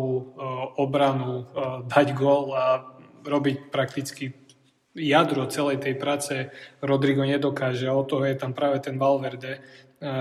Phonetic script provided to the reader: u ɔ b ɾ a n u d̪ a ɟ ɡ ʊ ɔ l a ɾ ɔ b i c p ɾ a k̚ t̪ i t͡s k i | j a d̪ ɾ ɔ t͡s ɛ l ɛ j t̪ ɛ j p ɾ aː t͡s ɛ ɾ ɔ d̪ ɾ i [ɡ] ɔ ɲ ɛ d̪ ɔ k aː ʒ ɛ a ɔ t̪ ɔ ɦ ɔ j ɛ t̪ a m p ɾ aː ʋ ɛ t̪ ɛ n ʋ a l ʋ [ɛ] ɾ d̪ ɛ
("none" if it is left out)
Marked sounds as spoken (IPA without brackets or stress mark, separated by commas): ɡ, ɛ